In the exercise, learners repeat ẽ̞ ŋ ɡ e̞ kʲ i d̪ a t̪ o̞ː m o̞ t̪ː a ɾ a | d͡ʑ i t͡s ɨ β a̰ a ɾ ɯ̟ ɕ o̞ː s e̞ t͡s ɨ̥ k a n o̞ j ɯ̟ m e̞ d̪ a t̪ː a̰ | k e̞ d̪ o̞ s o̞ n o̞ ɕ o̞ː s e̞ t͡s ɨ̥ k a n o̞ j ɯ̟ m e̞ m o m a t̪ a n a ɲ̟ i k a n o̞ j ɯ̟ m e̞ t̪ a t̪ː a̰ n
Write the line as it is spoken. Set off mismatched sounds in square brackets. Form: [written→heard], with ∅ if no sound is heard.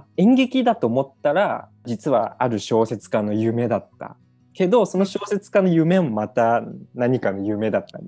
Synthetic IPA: ẽ̞ ŋ ɡ e̞ kʲ i d̪ a t̪ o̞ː m o̞ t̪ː a ɾ a | d͡ʑ i t͡s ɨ β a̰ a ɾ ɯ̟ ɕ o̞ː s e̞ t͡s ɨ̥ k a n o̞ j ɯ̟ m e̞ d̪ a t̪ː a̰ | k e̞ d̪ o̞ s o̞ n o̞ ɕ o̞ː s e̞ t͡s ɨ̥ k a n o̞ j ɯ̟ m e̞ m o m a t̪ a n a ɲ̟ i k a n o̞ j ɯ̟ m e̞ [t̪→d̪] a t̪ː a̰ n